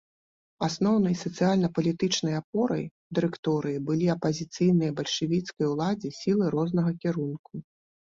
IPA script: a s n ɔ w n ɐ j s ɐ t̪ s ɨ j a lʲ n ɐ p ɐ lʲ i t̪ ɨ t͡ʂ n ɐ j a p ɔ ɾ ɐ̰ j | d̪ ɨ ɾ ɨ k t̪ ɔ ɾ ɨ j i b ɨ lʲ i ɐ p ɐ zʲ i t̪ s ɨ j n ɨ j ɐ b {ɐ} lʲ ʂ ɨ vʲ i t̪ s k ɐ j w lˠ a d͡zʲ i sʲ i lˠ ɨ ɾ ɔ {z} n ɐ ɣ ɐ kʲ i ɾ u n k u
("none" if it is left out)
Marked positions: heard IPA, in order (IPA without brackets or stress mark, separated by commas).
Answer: ɐ, z